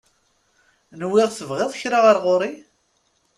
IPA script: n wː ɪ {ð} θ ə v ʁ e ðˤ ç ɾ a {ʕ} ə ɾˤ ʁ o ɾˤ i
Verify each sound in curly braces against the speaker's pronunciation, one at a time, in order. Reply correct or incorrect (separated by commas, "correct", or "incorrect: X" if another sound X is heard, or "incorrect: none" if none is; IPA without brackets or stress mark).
incorrect: ʁ, incorrect: ʁ